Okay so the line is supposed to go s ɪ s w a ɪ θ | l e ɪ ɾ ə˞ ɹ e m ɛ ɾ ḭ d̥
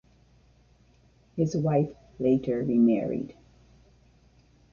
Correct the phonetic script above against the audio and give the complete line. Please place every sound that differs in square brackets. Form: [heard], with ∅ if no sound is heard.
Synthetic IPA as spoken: [h] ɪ [z] w a ɪ [f] | l e ɪ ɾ ə˞ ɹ [i] m ɛ [ɹ] ḭ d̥